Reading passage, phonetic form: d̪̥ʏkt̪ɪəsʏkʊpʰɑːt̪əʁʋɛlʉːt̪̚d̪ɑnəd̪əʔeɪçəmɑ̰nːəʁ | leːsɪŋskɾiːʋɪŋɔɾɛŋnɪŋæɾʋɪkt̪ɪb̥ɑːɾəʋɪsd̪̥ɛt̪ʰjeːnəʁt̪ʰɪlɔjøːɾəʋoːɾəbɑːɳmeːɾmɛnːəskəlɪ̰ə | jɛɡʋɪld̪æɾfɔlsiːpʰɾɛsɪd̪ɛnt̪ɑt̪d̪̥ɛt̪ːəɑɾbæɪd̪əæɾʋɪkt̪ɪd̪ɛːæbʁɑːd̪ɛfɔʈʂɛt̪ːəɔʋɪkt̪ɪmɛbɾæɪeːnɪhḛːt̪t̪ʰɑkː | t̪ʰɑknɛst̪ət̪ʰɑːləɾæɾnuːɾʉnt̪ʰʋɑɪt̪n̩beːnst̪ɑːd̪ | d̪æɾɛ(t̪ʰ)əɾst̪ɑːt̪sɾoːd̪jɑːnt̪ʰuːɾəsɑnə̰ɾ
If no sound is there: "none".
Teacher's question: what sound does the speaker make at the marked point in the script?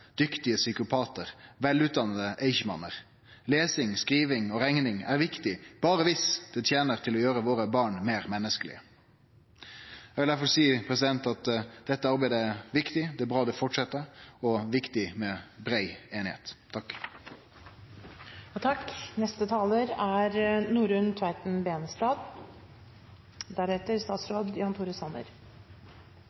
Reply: t̪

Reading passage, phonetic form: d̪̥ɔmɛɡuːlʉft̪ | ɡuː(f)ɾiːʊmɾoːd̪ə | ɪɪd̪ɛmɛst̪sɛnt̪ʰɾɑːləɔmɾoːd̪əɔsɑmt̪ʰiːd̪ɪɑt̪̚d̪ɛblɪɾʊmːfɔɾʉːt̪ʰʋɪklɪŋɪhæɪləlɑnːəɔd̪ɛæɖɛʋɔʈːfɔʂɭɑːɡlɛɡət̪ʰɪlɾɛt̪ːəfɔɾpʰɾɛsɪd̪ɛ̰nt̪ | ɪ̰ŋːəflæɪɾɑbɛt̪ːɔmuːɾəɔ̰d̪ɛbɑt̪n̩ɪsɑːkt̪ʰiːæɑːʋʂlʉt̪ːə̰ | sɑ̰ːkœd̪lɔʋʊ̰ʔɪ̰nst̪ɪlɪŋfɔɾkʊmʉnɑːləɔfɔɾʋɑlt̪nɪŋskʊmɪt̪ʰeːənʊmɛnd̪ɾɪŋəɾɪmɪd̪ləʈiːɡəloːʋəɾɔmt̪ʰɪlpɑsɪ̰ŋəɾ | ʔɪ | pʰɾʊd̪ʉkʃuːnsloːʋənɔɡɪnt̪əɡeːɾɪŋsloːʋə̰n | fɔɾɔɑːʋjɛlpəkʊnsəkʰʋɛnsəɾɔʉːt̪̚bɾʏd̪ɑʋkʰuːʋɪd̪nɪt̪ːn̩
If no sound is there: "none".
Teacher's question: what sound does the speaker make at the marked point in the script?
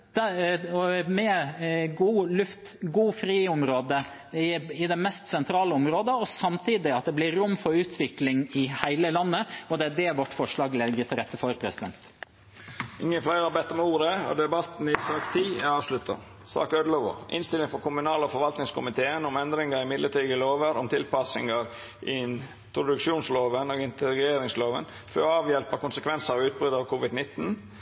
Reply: f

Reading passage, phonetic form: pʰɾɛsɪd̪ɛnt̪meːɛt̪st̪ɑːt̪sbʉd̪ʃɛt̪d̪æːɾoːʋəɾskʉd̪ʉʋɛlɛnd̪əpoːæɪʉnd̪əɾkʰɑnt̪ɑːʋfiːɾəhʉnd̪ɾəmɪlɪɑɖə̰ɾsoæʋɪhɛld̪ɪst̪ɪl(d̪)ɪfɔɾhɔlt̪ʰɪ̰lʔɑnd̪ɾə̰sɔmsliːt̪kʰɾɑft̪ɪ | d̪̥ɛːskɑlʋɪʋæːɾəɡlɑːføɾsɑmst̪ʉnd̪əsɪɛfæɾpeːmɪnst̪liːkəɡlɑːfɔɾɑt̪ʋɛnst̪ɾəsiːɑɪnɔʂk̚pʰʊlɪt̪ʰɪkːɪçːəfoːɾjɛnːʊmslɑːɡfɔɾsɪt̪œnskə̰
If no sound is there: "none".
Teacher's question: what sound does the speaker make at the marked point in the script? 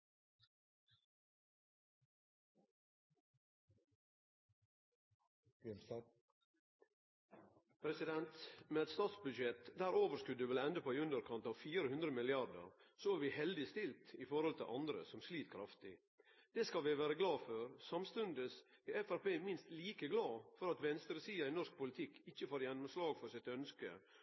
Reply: t̪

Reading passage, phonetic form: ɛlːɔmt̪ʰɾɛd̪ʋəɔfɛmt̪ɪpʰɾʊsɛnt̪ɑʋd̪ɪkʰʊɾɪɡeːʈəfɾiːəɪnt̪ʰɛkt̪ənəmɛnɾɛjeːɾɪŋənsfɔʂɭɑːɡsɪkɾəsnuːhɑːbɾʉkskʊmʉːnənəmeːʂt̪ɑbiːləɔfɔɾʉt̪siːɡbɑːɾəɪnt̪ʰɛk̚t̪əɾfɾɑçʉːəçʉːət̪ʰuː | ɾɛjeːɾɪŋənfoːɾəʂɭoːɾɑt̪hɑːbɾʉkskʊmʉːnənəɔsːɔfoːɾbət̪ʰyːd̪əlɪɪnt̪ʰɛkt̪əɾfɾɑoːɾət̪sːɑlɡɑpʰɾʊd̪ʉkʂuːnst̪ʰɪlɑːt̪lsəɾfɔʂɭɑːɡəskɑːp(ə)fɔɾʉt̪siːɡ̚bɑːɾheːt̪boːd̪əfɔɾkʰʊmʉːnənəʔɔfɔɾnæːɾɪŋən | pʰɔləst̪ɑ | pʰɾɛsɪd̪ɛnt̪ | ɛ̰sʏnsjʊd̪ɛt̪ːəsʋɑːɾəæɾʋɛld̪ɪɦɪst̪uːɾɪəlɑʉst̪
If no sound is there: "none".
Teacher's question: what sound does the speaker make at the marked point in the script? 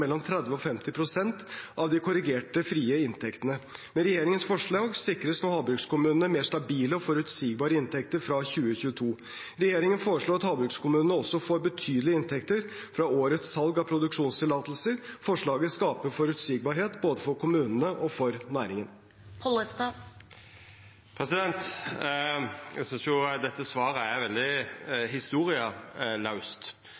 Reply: ə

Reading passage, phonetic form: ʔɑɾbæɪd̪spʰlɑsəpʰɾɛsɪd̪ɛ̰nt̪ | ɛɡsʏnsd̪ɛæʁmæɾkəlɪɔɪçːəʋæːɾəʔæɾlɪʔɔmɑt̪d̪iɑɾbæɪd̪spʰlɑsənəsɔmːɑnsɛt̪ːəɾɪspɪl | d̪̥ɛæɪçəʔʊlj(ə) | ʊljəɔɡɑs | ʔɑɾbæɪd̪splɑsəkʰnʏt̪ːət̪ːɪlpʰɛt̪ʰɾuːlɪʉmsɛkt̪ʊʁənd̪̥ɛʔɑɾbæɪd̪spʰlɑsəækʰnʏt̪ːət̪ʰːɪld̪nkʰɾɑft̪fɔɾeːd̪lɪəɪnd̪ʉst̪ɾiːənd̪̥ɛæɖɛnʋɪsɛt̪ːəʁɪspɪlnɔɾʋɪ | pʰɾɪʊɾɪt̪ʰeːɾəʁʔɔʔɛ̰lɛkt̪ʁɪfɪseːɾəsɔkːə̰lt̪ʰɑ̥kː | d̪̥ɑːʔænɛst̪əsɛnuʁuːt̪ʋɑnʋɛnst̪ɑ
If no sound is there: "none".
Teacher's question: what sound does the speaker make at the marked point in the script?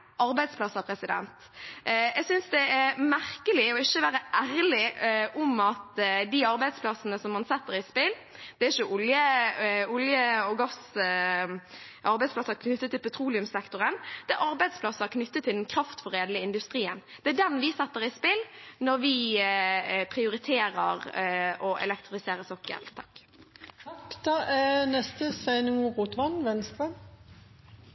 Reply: ə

